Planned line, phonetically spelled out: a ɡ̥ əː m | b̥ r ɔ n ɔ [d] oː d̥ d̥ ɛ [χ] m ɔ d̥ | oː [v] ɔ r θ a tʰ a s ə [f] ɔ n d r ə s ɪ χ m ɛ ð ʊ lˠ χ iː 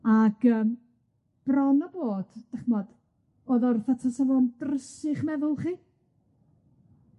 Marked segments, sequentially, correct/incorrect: incorrect: b, correct, incorrect: ð, incorrect: v

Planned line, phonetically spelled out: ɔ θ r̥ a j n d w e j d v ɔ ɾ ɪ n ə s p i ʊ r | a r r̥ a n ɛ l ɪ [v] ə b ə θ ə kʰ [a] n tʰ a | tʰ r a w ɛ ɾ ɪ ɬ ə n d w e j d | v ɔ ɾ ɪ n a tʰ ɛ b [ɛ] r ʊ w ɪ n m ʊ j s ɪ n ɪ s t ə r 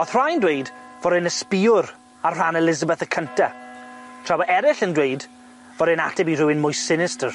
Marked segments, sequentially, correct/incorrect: incorrect: z, incorrect: ə, incorrect: i

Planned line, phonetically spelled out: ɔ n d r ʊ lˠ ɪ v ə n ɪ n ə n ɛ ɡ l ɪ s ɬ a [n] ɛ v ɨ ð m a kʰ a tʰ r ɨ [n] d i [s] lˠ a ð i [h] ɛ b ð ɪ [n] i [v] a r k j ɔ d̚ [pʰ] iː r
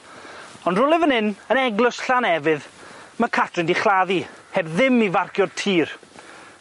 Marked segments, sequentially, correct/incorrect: correct, correct, incorrect: χ, correct, incorrect: m, correct, incorrect: tʰ

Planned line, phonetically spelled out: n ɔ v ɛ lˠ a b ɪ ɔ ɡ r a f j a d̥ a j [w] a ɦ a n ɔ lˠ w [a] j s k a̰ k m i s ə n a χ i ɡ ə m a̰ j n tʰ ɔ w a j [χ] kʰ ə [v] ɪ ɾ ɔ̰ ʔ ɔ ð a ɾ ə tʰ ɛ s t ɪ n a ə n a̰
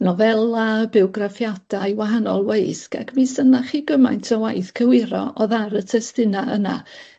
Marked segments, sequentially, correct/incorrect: correct, incorrect: e, incorrect: θ, incorrect: w

